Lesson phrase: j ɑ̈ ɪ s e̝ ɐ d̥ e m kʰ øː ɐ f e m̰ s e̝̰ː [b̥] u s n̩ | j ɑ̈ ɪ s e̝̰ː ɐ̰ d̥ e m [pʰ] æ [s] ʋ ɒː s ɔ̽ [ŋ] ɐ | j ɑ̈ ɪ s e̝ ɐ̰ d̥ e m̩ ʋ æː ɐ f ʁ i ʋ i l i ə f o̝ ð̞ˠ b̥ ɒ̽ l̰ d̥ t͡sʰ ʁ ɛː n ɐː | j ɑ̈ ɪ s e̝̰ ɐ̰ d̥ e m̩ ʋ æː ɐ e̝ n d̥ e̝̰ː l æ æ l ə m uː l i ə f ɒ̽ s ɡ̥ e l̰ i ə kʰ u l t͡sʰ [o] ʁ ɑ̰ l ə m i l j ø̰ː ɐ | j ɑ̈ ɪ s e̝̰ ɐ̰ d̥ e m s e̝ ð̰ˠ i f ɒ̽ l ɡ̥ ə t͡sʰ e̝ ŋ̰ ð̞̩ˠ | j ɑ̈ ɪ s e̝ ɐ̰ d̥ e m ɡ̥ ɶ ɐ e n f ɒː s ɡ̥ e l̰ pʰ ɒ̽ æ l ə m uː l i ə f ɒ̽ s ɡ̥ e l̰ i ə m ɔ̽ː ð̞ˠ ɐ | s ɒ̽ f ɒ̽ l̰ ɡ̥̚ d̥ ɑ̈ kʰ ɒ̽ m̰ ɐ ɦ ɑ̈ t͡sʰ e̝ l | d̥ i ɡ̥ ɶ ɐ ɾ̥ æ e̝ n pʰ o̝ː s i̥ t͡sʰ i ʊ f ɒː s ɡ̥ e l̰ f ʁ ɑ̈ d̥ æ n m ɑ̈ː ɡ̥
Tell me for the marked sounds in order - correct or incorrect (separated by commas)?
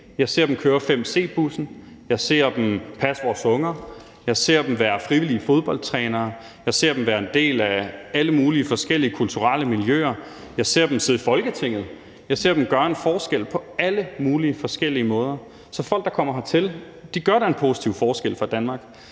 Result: correct, correct, correct, correct, incorrect